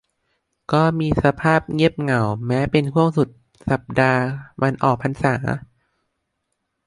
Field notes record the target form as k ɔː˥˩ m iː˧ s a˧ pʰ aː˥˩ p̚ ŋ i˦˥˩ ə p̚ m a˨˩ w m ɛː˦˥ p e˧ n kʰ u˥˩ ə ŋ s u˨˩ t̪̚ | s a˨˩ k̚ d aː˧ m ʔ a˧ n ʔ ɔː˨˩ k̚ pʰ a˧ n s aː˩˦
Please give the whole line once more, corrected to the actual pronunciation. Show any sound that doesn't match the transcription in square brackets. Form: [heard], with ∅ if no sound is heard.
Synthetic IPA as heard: k ɔː˥˩ m iː˧ s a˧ pʰ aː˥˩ p̚ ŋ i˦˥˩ ə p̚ [ŋ] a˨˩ w m ɛː˦˥ p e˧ n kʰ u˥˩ ə ŋ s u˨˩ t̪̚ | s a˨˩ [p̚] d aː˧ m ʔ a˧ n ʔ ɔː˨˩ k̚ pʰ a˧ n s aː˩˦